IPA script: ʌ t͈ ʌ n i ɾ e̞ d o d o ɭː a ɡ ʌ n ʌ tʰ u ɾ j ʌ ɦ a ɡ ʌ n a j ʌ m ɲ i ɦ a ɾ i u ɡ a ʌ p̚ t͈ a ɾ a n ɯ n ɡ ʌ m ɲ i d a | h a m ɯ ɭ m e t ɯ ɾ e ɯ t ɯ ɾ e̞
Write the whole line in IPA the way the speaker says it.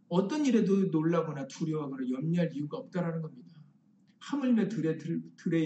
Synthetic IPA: ʌ t͈ ʌ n i ɾ e̞ d o n o ɭː a ɡ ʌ n a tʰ u ɾ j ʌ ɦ a ɡ ʌ n a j ʌ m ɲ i ɦ a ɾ i u ɡ a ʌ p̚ t͈ a ɾ a n ɯ n ɡ ʌ m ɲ i d a | h a m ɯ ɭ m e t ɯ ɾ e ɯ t ɯ ɾ e̞